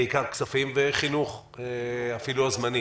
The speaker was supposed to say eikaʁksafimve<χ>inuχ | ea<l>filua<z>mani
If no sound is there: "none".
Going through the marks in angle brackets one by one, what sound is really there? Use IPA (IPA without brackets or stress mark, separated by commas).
χ, none, z